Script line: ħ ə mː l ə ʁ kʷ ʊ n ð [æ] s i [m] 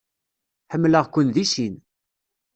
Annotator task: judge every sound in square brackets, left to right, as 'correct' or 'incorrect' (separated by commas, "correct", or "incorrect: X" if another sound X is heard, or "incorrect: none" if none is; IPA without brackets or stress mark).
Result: incorrect: i, incorrect: n